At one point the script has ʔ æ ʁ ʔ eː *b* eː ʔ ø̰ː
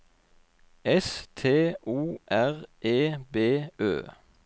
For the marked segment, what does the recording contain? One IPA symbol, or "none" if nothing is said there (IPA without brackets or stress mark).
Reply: b